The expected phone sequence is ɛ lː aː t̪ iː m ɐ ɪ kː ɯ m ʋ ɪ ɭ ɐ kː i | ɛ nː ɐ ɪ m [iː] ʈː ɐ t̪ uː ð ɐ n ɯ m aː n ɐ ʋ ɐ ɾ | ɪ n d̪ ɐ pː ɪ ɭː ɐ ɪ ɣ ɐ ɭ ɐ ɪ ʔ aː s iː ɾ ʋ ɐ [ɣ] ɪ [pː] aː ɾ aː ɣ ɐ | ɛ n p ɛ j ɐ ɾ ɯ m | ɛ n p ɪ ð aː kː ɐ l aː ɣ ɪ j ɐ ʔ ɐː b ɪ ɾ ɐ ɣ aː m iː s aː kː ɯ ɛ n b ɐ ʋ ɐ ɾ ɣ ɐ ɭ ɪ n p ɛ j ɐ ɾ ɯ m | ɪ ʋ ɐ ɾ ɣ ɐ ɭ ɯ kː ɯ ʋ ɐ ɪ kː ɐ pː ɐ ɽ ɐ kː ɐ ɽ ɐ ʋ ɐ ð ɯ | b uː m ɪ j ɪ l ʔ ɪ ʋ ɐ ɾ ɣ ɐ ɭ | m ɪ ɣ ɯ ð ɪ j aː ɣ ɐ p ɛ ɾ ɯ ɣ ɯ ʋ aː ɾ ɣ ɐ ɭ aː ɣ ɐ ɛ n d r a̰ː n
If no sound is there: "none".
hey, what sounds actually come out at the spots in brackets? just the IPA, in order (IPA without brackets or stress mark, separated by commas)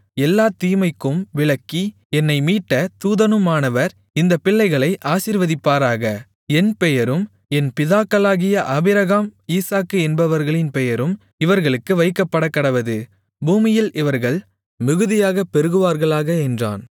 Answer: iː, ð, pː